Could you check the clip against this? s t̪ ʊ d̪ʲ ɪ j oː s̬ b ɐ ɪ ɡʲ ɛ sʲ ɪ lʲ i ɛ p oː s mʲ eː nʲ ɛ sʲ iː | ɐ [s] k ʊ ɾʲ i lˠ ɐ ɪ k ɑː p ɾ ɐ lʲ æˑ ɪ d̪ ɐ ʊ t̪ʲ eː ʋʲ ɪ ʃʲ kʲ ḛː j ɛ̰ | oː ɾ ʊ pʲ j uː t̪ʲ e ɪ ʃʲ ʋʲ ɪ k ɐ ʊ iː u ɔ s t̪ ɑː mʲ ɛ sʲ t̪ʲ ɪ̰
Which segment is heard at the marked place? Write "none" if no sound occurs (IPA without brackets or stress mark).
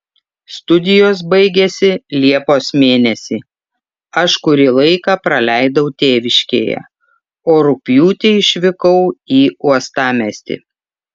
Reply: ʃ